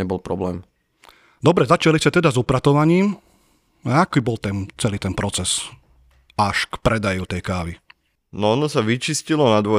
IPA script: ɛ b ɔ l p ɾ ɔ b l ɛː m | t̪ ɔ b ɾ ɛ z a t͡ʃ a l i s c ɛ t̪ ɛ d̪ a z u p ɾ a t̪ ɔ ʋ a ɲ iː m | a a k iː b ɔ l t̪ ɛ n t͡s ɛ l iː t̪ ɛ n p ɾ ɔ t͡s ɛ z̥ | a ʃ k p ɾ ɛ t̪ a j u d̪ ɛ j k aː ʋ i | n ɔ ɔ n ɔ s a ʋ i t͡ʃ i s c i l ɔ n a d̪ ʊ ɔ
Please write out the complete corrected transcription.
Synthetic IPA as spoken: ɛ b ɔ l p ɾ ɔ b l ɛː m | d̪ ɔ b ɾ ɛ z a t͡ʃ a l i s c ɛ t̪ ɛ d̪ a z u p ɾ a t̪ ɔ ʋ a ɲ iː m | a a k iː b ɔ l t̪ ɛ n t͡s ɛ l iː t̪ ɛ n p ɾ ɔ t͡s ɛ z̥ | a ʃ k p ɾ ɛ d̪ a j u t̪ ɛ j k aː ʋ i | n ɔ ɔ n ɔ s a ʋ i t͡ʃ i s c i l ɔ n a d̪ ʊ ɔ